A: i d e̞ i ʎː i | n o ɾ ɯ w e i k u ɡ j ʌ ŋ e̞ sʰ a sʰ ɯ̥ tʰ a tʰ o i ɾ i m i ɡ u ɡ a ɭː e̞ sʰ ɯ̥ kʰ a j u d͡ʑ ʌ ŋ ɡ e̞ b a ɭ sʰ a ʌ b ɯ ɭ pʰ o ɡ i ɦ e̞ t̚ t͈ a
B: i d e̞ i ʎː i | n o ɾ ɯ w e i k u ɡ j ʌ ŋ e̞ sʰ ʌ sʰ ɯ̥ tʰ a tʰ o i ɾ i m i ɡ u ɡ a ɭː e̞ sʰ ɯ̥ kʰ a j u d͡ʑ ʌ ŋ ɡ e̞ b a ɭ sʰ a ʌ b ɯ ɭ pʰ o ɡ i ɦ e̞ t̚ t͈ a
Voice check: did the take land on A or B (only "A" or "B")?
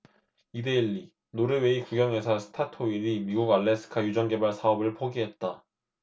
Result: B